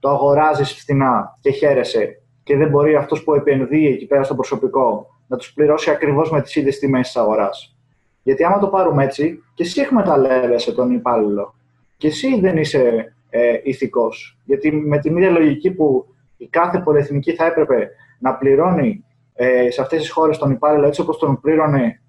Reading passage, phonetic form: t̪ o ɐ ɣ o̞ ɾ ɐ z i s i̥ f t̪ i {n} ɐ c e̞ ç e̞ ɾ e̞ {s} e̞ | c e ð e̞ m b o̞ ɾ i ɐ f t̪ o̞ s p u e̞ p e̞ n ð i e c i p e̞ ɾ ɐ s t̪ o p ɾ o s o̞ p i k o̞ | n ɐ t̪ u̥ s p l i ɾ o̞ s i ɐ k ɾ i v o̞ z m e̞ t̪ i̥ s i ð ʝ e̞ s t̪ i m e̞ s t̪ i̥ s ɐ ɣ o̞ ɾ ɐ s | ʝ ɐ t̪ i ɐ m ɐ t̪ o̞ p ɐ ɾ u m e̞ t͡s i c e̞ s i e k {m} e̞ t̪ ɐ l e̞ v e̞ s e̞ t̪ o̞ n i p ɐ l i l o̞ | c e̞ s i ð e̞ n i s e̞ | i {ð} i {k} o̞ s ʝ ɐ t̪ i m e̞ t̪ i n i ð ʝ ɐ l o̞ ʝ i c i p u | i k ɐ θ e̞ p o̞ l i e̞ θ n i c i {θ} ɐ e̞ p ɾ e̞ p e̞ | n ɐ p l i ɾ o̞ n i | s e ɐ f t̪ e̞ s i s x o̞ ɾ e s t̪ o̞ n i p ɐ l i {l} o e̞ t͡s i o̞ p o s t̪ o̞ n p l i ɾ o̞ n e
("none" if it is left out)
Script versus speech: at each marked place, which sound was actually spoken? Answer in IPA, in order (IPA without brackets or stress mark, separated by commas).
n, s, m, θ, k, θ, l